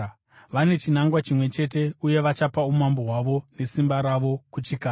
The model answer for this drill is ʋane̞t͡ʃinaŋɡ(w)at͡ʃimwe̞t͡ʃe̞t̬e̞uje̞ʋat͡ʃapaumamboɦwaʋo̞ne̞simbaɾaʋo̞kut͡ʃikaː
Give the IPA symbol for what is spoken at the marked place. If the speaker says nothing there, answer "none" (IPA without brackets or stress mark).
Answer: w